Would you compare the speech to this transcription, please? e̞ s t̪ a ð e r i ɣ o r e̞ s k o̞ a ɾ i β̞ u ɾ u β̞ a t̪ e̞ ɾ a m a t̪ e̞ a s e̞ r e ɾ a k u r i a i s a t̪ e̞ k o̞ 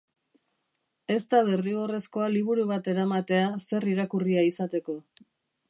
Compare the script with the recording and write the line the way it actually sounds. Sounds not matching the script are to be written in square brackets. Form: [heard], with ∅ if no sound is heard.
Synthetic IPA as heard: e̞ s t̪ a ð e r i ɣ o r e̞ s k o̞ a [l] i β̞ u ɾ u β̞ a t̪ e̞ ɾ a m a t̪ e̞ a s e̞ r [i] ɾ a k u r i a i s a t̪ e̞ k o̞